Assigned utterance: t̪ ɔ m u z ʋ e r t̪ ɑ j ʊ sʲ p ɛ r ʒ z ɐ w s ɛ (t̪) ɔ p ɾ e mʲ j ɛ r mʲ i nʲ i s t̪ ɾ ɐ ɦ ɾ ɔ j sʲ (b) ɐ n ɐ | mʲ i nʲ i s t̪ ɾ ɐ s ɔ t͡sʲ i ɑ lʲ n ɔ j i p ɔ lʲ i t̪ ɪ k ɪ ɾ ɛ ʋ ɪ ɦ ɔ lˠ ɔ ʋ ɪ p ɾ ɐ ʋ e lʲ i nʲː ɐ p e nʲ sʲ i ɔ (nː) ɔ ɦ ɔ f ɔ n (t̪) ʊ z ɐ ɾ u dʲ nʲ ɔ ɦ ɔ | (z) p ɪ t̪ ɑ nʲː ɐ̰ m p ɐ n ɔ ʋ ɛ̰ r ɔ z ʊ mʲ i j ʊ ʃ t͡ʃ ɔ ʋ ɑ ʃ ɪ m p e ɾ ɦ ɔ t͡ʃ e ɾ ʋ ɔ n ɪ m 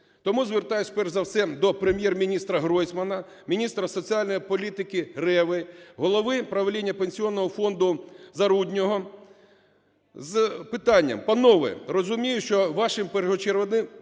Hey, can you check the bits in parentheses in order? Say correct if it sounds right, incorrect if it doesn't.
incorrect: d̪, incorrect: m, correct, incorrect: d̪, correct

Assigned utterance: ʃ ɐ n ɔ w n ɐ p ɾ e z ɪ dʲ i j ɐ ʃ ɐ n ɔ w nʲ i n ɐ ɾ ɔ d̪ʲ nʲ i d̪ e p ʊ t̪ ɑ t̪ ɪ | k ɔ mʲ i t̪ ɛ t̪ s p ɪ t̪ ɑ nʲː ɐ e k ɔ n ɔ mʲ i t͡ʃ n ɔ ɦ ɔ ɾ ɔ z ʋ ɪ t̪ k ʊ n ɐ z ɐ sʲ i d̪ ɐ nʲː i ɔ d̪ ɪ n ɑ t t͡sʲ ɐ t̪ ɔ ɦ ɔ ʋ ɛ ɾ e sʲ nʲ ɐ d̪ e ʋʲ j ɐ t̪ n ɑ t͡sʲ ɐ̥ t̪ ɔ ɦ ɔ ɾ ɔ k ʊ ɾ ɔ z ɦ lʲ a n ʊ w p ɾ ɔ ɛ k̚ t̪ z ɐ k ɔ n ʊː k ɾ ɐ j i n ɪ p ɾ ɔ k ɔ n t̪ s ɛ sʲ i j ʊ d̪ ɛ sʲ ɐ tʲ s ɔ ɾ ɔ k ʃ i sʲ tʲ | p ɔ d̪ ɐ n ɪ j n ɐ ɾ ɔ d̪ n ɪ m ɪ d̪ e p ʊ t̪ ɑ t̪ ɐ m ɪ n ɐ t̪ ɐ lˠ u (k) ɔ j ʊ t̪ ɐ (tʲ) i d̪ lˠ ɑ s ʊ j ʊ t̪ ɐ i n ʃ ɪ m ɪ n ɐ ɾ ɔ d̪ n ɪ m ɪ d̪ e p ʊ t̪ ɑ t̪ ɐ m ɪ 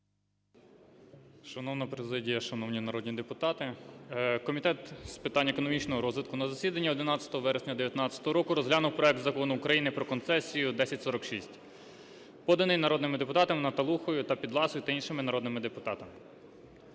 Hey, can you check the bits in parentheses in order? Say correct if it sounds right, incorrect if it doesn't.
incorrect: x, incorrect: pʲ

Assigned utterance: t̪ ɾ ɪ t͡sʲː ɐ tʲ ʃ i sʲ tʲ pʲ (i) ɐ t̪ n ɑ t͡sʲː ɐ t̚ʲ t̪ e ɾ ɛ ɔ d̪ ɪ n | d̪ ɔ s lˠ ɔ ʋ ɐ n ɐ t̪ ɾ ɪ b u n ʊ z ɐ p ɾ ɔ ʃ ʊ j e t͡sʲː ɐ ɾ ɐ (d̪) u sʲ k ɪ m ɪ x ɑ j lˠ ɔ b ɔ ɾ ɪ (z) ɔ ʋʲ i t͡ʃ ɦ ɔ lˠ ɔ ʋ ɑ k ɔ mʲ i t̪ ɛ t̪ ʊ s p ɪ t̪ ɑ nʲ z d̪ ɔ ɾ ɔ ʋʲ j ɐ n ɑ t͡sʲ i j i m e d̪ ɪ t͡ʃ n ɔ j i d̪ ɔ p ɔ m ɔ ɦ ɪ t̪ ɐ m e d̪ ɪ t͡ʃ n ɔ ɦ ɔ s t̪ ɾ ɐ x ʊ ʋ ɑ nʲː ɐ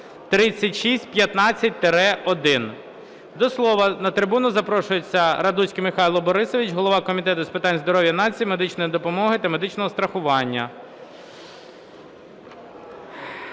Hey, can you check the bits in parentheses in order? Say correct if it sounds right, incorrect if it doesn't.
incorrect: j, correct, incorrect: s

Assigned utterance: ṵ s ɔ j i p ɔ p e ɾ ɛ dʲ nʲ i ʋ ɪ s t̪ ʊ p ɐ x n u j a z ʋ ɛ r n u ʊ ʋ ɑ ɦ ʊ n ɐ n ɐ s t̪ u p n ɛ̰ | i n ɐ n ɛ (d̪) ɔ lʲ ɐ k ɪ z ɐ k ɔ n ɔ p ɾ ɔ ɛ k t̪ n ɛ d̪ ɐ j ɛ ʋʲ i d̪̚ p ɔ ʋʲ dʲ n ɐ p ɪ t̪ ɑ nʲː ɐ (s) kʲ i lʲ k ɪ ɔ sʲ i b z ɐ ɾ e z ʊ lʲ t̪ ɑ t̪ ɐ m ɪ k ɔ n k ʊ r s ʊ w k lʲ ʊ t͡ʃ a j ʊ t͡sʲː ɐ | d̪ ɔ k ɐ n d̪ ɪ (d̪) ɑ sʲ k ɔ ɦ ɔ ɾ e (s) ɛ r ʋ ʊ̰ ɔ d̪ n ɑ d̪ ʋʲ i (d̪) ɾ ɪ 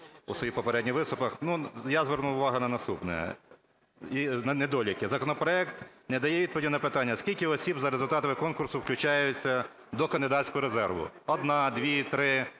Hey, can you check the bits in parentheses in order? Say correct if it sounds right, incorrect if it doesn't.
correct, correct, correct, incorrect: z, incorrect: t̪

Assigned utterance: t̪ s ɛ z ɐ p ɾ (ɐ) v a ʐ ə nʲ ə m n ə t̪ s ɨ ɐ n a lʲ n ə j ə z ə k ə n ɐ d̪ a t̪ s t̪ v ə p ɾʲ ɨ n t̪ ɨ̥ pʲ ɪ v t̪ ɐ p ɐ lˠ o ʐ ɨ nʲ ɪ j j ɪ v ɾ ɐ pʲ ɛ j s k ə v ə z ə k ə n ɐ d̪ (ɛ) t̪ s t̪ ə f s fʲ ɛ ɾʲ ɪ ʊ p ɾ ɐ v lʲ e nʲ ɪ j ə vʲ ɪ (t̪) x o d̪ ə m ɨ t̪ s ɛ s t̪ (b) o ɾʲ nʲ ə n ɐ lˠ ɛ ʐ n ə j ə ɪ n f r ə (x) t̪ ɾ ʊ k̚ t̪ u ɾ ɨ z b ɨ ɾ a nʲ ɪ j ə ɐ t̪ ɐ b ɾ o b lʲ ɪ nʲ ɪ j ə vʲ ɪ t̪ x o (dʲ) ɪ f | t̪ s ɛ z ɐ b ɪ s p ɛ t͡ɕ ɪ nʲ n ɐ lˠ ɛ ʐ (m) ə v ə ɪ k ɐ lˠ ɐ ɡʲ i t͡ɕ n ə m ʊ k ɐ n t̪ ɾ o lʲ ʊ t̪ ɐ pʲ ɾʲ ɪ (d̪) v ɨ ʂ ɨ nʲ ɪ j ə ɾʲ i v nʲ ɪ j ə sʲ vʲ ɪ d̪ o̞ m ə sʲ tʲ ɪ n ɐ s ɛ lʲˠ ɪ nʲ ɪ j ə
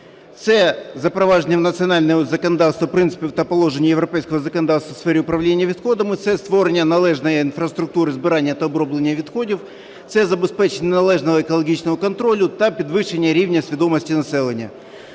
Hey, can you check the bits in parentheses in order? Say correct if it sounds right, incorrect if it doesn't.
correct, incorrect: a, correct, incorrect: v, incorrect: s, correct, incorrect: n, correct

